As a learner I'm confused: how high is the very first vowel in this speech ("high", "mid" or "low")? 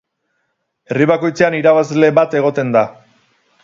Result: mid